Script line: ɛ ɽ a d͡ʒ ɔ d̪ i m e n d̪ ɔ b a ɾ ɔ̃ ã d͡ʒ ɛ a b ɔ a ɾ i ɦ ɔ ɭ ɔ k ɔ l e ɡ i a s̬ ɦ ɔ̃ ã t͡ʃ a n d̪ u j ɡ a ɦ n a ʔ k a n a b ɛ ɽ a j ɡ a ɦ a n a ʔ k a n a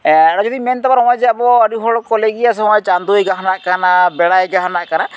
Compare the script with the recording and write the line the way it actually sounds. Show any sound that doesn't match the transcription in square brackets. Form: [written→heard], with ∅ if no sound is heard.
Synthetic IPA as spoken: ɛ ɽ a d͡ʒ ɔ d̪ i m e n [d̪→t̪] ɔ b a ɾ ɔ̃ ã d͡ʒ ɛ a b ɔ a ɾ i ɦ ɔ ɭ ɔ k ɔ l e ɡ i a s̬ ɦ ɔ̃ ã t͡ʃ a n d̪ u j ɡ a ɦ n a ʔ k a n a b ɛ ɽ a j ɡ a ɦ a n a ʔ k a n a